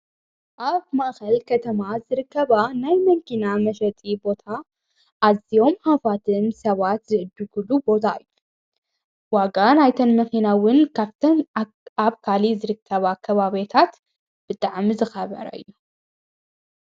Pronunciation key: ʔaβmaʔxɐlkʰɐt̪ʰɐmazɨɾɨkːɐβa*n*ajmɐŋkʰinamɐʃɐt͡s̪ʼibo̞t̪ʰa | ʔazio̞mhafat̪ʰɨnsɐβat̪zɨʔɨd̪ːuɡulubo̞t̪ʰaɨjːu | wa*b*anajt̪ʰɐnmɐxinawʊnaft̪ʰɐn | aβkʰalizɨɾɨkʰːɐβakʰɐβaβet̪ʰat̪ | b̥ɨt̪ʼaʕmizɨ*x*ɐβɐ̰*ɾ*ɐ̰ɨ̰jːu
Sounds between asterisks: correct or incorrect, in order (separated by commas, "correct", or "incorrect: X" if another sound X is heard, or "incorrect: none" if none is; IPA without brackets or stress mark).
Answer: correct, incorrect: ɡ, correct, correct